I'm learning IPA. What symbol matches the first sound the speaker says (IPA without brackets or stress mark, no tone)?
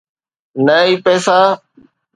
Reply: n